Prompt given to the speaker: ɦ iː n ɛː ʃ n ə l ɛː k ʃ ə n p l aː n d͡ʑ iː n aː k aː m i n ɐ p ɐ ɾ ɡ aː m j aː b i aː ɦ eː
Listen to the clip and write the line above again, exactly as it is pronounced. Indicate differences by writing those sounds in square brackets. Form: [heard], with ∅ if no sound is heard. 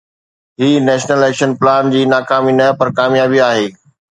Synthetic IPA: ɦ iː n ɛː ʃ n ə l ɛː k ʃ ə n p l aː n d͡ʑ iː n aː k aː m i n ɐ p ɐ ɾ [k] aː m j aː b i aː ɦ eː